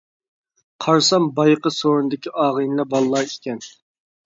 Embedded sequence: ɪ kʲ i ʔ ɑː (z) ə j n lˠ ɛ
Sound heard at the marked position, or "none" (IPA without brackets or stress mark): ʁ